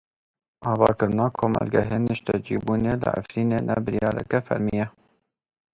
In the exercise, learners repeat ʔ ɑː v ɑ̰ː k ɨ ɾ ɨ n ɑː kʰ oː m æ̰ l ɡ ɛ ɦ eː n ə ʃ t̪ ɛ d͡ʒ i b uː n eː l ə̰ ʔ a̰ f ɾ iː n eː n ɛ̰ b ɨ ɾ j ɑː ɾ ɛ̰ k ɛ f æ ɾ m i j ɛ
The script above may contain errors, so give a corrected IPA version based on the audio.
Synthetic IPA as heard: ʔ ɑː v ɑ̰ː k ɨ ɾ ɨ n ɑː kʰ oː m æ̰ l ɡ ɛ ɦ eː n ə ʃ t̪ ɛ d͡ʒ i b uː n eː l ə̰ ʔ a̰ f ɾ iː n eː n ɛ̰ b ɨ ɾ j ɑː ɾ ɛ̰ k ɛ f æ ɾ m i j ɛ